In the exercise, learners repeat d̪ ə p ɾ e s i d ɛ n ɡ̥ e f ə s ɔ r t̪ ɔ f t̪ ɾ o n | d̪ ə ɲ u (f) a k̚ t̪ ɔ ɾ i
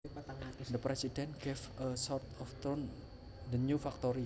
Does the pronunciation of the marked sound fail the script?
no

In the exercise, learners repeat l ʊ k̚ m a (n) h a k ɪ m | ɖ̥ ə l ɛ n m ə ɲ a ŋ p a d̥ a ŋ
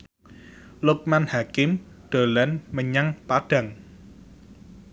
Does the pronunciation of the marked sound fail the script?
no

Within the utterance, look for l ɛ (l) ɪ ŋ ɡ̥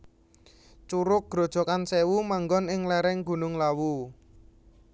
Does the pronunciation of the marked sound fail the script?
yes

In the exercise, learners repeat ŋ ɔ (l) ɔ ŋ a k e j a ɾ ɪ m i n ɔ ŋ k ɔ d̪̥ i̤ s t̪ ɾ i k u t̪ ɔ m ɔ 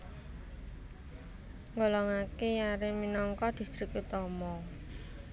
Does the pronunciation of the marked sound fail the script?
no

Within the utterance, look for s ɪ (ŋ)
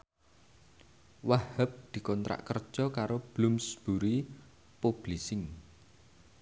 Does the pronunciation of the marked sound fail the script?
no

